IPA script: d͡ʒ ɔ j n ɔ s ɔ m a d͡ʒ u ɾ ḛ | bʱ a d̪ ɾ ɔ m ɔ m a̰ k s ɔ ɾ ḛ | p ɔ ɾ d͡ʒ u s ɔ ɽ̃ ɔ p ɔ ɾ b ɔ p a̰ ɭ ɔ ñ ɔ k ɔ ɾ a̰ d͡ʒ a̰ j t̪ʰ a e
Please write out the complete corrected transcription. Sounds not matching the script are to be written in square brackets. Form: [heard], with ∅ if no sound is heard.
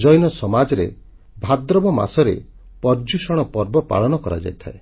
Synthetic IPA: d͡ʒ ɔ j n ɔ s ɔ m a d͡ʒ [ɔ] ɾ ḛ | bʱ a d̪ ɾ ɔ [b] ɔ m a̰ [∅] s ɔ ɾ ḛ | p ɔ ɾ d͡ʒ u s ɔ ɽ̃ ɔ p ɔ ɾ b ɔ p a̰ ɭ ɔ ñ ɔ k ɔ ɾ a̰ d͡ʒ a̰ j t̪ʰ a e

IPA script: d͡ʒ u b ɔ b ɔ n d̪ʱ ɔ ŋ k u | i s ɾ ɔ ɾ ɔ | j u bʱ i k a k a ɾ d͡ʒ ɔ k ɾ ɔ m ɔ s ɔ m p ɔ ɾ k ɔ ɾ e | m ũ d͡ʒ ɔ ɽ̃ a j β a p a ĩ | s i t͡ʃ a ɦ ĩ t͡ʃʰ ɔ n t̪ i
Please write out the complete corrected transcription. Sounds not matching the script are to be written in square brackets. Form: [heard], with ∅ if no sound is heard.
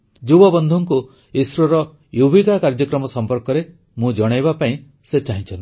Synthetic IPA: d͡ʒ u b ɔ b ɔ n d̪ʱ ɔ ŋ k u | i s ɾ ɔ ɾ ɔ | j u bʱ i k a k a ɾ d͡ʒ ɔ k ɾ ɔ m ɔ s ɔ m p ɔ ɾ k ɔ ɾ e | m ũ d͡ʒ ɔ ɽ̃ a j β a p a ĩ | s [e] t͡ʃ a ɦ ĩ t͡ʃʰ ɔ n t̪ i

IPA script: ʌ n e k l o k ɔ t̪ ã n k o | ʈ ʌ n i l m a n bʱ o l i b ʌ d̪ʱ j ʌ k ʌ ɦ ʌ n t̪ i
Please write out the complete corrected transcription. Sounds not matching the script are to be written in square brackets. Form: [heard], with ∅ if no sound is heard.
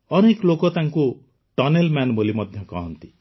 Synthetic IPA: ʌ n e k l o k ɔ t̪ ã [ŋ] k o | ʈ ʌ n [e] l m a n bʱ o l i [m] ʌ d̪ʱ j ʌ k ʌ ɦ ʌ n t̪ i

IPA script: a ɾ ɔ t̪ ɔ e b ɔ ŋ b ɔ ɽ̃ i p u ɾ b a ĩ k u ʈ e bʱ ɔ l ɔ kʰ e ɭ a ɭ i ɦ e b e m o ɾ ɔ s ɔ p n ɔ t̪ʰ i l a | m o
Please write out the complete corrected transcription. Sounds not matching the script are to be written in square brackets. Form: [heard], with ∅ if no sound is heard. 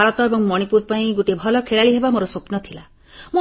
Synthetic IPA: a ɾ ɔ t̪ ɔ e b ɔ ŋ [m] ɔ ɽ̃ i p u ɾ [p] a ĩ [ɡ] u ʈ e bʱ ɔ l ɔ kʰ e ɭ a ɭ i ɦ e b [a] m o ɾ ɔ s [o] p n ɔ t̪ʰ i l a | m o

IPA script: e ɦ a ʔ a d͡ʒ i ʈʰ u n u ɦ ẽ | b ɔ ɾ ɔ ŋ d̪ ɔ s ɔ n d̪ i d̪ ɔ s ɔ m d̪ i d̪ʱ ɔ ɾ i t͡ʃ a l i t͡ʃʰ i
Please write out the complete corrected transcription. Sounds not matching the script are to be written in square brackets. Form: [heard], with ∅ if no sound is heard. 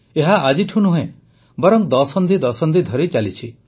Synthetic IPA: e ɦ a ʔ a d͡ʒ i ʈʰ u n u ɦ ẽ | b ɔ ɾ ɔ ŋ d̪ ɔ s ɔ n d̪ i d̪ ɔ s ɔ [n] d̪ i d̪ʱ ɔ ɾ i t͡ʃ a l i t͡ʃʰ i

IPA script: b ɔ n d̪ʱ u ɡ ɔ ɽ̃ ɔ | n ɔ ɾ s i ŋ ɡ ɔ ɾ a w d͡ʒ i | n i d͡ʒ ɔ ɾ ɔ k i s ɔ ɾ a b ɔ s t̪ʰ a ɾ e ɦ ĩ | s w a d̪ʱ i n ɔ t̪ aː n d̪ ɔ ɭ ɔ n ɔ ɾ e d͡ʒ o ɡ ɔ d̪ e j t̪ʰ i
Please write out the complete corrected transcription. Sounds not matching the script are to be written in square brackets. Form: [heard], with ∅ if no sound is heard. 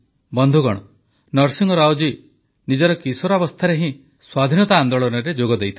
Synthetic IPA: b ɔ n d̪ʱ u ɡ ɔ ɽ̃ ɔ | n ɔ ɾ s i ŋ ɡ ɔ ɾ a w d͡ʒ i | n i d͡ʒ ɔ ɾ ɔ k i s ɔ ɾ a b ɔ s t̪ʰ a ɾ e ɦ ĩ | s w a d̪ʱ i n ɔ t̪ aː n d̪ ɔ ɭ ɔ n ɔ ɾ e d͡ʒ o ɡ ɔ d̪ e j t̪ʰ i

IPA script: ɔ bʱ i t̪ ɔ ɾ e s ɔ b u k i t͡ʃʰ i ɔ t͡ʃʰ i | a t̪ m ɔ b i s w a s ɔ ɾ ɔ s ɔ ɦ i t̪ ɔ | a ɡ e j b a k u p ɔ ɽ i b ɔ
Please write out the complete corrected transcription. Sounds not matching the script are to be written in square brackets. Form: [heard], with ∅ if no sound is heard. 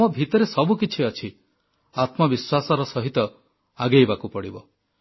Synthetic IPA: ɔ bʱ i t̪ ɔ ɾ e s ɔ b u k i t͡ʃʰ i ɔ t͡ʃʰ i | a t̪ m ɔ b i s w a s ɔ ɾ ɔ s ɔ ɦ i t̪ ɔ | a ɡ e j b a k u p ɔ ɽ i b ɔ

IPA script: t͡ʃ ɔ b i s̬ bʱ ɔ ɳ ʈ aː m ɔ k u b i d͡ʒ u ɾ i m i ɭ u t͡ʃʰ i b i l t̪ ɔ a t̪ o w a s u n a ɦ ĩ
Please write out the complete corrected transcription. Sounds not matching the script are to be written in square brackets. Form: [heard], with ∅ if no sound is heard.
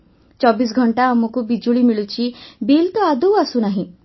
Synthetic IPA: t͡ʃ ɔ b i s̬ [ɡʱ] ɔ ɳ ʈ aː m ɔ k u b i d͡ʒ u [ɭ] i m i ɭ u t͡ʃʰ i b i l t̪ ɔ a [d̪] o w a s u n a ɦ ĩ

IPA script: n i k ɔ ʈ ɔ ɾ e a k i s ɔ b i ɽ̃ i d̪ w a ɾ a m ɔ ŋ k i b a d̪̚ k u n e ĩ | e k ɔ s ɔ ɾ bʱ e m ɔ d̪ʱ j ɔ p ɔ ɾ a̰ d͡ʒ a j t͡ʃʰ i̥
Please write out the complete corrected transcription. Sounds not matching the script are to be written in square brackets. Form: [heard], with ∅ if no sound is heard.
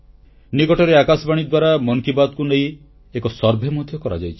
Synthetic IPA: n i k ɔ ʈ ɔ ɾ e a k [a] s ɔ b [a] ɽ̃ i d̪ w a ɾ a m ɔ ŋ k i b a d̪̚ k u n e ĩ | e k ɔ s ɔ ɾ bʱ e m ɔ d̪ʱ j ɔ [k] ɔ ɾ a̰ d͡ʒ a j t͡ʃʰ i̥

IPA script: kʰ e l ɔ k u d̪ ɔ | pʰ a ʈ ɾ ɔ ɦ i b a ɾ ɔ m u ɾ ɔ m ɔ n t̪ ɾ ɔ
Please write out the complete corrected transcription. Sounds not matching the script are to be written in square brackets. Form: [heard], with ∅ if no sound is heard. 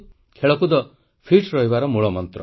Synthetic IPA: kʰ e [ɭ] ɔ k u d̪ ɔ | pʰ [i] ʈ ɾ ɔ ɦ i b a ɾ ɔ m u [ɭ] ɔ m ɔ n t̪ ɾ ɔ

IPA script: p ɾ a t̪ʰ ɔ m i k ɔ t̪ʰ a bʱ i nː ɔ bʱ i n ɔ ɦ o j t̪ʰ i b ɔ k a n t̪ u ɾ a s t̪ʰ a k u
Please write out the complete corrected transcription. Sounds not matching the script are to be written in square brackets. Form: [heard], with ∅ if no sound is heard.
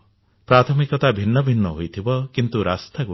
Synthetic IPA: p ɾ a t̪ʰ ɔ m i k ɔ [t̪] a bʱ i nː ɔ bʱ i [nː] ɔ ɦ o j t̪ʰ i b ɔ k [i] n t̪ u ɾ a s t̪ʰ a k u

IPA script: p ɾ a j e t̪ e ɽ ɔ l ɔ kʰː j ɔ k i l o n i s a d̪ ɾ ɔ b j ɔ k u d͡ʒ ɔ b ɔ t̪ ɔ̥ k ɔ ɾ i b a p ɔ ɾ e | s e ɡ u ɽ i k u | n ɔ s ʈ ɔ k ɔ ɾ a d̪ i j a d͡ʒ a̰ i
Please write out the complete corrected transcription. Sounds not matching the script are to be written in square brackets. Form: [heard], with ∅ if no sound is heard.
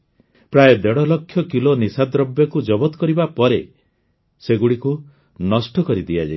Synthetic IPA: p ɾ a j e [d̪] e ɽ ɔ l ɔ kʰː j ɔ k i l o n i s a d̪ ɾ ɔ b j ɔ k u d͡ʒ ɔ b ɔ t̪ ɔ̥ k ɔ ɾ i b a p ɔ ɾ e | s e ɡ u ɽ i k u | n ɔ s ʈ ɔ k ɔ ɾ [i] d̪ i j a d͡ʒ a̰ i

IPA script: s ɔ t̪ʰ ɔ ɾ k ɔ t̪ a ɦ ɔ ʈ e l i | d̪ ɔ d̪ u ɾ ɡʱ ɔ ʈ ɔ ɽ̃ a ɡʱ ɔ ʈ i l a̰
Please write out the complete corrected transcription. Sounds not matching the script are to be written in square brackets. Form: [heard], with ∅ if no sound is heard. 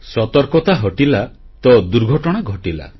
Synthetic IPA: s ɔ [t̪] ɔ ɾ k ɔ t̪ a ɦ ɔ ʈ [i] l [a] | [t̪] ɔ d̪ u ɾ ɡʱ ɔ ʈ ɔ ɽ̃ a ɡʱ ɔ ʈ i l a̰

